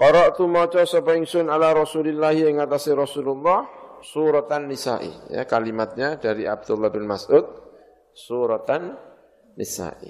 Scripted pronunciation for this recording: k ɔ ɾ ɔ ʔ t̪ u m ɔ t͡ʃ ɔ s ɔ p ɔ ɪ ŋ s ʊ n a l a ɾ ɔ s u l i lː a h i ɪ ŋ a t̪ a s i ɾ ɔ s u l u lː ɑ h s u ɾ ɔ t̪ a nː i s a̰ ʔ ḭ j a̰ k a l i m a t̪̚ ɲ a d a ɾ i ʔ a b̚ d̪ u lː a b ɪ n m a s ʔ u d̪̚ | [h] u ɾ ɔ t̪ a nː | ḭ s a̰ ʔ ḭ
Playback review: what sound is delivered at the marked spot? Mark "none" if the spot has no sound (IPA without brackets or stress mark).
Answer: s